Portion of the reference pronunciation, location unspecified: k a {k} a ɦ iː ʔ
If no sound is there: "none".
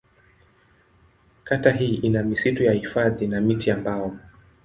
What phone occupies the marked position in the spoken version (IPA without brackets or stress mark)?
t